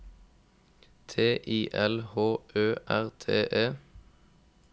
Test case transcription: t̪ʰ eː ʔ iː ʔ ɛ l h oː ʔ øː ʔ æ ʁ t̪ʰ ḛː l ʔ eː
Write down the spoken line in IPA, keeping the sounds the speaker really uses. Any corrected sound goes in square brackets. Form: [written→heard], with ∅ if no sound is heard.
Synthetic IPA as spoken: t̪ʰ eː ʔ iː ʔ ɛ l h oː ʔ øː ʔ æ ʁ t̪ʰ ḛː [l→∅] ʔ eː